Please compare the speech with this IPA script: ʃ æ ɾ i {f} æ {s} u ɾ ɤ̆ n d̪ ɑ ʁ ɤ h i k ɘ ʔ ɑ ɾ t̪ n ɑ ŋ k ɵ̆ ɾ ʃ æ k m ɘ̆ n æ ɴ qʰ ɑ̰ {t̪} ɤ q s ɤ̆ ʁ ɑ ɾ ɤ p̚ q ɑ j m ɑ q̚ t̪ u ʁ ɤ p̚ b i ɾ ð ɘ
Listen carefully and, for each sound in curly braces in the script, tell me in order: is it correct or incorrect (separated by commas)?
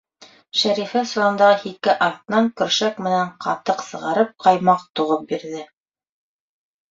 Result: correct, correct, correct